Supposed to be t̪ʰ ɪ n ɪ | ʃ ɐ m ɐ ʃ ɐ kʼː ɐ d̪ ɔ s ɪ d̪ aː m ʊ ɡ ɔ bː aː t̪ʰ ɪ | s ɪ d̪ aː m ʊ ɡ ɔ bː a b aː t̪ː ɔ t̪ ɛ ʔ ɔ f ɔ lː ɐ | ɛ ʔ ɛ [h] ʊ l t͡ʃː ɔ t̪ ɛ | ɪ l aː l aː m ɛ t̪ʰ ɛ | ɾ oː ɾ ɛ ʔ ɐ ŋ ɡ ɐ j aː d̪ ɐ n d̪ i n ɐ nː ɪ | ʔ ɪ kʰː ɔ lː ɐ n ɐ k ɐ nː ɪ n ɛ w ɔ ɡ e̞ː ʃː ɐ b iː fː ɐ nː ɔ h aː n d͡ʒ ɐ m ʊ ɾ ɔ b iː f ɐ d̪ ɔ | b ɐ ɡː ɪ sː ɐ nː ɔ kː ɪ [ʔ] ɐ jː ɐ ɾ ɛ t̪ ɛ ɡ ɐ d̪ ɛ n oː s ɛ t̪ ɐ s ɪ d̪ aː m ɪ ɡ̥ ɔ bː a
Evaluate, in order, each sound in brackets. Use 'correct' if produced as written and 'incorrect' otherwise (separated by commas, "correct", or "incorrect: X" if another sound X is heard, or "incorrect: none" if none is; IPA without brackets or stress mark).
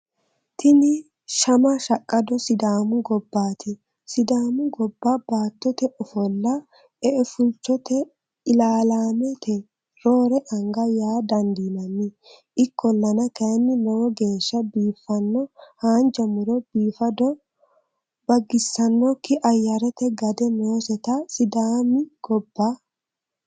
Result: incorrect: f, correct